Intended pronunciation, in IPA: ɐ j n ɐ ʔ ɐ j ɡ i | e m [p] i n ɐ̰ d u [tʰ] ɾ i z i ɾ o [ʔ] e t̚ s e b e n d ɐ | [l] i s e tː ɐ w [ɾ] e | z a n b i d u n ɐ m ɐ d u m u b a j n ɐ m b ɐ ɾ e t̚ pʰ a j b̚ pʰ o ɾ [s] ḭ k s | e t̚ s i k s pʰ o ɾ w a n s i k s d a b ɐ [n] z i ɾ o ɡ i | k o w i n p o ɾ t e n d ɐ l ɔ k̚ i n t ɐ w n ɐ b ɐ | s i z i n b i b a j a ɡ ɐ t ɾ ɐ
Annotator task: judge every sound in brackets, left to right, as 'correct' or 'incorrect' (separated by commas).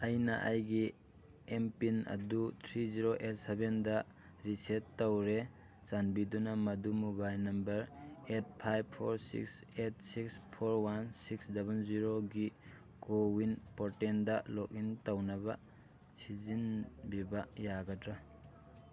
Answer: correct, correct, correct, incorrect, correct, correct, correct